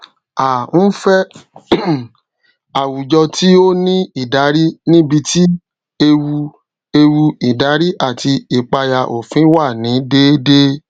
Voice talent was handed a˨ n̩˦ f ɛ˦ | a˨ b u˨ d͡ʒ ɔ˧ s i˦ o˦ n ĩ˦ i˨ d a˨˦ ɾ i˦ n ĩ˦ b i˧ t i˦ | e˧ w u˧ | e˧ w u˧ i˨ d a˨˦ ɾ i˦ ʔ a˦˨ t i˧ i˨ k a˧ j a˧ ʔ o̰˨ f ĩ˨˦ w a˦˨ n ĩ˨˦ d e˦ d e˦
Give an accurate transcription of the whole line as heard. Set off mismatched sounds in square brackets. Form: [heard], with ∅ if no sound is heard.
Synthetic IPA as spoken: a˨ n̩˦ f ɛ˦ | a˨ [w] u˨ d͡ʒ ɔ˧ [t] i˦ o˦ n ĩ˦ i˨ d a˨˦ ɾ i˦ n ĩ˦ b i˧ t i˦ | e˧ w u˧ | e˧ w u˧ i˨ d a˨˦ ɾ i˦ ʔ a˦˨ t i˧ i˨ [k͡p] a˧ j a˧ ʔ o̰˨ f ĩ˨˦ w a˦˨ n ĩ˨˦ d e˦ d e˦